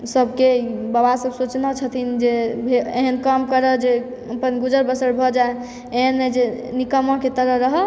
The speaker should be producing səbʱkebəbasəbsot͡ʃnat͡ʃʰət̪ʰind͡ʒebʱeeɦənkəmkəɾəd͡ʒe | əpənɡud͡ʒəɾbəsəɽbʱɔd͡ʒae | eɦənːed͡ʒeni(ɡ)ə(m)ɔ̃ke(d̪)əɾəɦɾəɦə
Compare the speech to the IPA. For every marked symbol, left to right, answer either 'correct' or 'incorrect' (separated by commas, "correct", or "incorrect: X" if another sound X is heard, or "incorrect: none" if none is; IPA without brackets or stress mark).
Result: incorrect: k, correct, incorrect: t̪